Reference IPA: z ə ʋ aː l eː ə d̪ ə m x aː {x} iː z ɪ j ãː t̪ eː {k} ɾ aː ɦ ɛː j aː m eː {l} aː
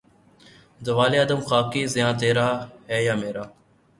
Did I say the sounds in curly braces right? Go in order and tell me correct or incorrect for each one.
incorrect: k, incorrect: none, incorrect: ɾ

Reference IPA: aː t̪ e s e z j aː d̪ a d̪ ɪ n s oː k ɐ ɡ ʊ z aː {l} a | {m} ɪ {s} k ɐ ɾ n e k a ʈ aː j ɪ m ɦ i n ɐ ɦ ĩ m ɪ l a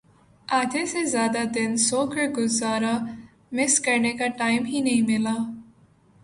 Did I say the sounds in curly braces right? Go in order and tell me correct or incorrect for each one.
incorrect: ɾ, correct, correct

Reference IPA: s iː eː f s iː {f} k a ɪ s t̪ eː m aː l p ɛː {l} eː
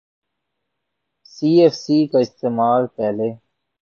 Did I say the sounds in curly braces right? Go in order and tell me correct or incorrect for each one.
incorrect: none, correct

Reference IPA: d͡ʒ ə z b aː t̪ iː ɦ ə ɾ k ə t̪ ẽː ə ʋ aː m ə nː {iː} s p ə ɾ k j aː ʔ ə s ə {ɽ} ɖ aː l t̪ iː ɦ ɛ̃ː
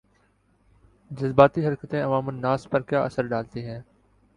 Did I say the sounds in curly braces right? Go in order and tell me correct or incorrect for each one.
incorrect: aː, incorrect: ɾ

